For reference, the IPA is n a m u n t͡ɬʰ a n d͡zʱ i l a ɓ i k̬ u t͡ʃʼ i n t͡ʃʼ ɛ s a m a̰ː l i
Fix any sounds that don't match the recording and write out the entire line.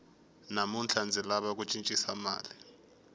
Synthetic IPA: n a m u n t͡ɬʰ a n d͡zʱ i l a ɓ a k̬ u t͡ʃʼ i n t͡ʃʼ i s a m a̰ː l i